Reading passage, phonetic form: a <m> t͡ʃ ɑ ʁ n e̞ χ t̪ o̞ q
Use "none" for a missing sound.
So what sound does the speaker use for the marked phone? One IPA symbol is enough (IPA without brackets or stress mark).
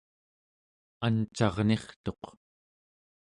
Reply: n